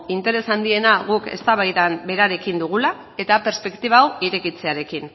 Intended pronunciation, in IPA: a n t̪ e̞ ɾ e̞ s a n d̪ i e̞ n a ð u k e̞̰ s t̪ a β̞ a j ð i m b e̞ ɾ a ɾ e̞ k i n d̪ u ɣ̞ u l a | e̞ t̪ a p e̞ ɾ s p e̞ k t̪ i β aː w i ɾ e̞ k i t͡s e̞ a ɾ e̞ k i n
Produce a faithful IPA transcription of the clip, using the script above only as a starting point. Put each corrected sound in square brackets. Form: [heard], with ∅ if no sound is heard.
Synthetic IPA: [i] n t̪ e̞ ɾ e̞ s a n d̪ i e̞ n a [ɣ] u k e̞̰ s t̪ a β̞ a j ð [a] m b e̞ ɾ a ɾ e̞ k i n d̪ u ɣ̞ u l a | e̞ t̪ a p e̞ ɾ s p e̞ k t̪ i β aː w i ɾ e̞ k i t͡s e̞ a ɾ e̞ k i n